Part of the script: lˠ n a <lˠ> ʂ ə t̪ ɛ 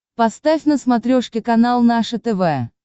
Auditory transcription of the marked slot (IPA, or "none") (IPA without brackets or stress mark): none